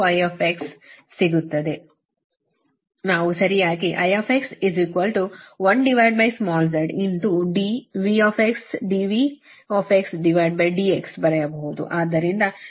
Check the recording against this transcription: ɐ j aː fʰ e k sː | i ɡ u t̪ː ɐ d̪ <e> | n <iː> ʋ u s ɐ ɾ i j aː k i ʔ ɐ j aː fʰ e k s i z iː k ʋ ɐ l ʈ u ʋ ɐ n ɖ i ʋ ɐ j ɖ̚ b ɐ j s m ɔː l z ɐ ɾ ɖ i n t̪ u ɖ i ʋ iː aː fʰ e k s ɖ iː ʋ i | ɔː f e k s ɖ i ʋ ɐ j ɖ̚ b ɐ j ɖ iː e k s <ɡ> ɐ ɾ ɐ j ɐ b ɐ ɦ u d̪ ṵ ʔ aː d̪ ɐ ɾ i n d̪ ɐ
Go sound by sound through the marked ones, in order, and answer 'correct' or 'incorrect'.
correct, incorrect: aː, incorrect: b

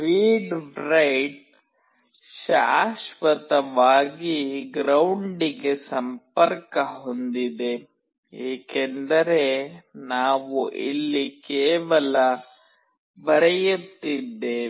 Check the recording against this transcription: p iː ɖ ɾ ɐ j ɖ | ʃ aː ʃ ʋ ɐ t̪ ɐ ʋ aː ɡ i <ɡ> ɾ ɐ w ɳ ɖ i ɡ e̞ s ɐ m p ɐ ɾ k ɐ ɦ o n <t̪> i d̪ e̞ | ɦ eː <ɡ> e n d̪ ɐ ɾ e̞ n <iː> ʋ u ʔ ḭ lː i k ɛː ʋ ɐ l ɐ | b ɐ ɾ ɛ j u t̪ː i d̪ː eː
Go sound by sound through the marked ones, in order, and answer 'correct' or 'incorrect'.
correct, incorrect: d̪, incorrect: k, incorrect: aː

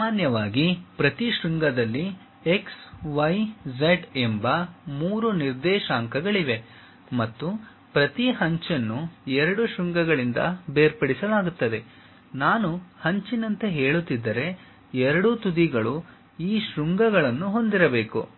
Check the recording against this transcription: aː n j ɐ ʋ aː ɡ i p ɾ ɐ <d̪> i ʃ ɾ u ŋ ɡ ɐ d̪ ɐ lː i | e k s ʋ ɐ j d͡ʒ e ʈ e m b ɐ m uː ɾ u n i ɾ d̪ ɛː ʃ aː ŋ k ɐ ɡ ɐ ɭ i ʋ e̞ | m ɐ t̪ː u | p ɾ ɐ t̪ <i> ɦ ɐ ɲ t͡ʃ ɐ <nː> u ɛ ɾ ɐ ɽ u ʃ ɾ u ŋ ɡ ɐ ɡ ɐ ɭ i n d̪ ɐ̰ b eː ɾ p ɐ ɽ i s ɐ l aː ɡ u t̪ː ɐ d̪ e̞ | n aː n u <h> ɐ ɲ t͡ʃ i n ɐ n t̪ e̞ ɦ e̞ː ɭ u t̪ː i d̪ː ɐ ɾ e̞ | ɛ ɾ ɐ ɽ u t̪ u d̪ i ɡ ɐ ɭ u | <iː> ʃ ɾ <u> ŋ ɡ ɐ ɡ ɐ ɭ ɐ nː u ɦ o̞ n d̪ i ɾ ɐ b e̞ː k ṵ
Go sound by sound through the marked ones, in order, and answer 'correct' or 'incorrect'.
incorrect: t̪, correct, correct, correct, correct, correct

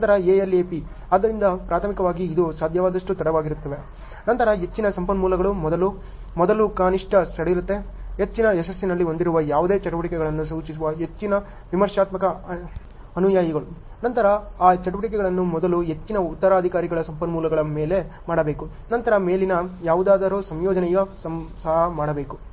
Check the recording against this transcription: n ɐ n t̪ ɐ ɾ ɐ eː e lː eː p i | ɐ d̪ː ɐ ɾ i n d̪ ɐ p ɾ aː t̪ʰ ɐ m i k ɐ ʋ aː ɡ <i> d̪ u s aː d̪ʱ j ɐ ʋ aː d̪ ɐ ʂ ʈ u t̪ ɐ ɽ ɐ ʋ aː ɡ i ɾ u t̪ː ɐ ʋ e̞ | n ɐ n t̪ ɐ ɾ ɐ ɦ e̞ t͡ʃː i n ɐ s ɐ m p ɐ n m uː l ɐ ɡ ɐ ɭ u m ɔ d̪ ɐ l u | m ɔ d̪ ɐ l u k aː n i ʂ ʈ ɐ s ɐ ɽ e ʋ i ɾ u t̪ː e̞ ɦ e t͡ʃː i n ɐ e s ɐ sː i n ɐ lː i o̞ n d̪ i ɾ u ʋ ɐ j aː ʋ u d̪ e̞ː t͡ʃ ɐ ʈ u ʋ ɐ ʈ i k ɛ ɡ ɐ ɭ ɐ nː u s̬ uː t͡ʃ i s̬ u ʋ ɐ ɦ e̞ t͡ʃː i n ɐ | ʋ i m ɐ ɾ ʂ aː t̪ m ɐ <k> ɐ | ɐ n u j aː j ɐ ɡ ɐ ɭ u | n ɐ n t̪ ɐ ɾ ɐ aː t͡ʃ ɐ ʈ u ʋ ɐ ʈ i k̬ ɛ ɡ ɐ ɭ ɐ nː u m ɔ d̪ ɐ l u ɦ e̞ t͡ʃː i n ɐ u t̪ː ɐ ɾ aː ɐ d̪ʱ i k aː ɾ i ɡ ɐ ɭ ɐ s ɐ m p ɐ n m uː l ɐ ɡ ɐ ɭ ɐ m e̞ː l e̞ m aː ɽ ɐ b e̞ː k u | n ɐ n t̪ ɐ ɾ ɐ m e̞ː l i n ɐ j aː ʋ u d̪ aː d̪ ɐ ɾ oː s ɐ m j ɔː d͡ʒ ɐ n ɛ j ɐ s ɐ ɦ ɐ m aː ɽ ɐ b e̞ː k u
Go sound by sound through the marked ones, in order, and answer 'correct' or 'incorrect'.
incorrect: iː, correct

